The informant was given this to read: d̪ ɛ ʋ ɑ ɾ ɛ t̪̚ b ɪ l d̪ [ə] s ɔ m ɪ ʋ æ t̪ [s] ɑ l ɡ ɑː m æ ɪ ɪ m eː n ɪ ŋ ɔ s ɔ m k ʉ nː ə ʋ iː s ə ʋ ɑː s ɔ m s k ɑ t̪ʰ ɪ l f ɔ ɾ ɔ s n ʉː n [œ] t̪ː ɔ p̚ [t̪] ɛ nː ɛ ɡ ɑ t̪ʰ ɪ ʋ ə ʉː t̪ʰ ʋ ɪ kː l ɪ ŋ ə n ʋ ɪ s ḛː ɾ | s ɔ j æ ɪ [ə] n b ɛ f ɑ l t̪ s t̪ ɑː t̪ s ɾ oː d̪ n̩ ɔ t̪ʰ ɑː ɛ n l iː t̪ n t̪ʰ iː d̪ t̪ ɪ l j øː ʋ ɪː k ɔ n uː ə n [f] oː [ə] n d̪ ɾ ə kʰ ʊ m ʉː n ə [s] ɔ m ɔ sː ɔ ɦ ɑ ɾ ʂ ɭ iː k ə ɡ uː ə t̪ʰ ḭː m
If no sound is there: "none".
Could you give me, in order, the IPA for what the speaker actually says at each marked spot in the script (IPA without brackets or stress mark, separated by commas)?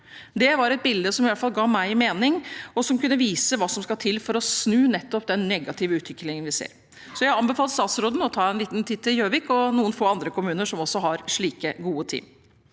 ə, f, ɛ, d̪, ɑ, f, ɑ, ʂ